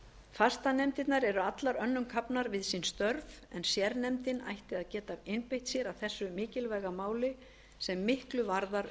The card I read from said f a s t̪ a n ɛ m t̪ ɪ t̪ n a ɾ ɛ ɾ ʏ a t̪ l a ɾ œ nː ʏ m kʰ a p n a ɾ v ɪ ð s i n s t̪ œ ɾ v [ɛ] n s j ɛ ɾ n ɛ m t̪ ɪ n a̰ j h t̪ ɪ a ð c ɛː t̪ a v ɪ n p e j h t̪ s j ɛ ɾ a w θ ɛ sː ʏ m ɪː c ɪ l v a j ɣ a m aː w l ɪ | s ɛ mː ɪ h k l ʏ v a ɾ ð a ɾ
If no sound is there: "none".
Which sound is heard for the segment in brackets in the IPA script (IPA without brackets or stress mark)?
ɛ